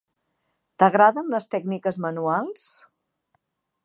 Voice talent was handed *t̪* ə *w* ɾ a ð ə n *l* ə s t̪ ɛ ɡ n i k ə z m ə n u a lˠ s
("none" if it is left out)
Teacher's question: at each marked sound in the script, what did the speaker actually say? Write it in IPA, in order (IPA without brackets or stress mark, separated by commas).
t̪, ɣ, l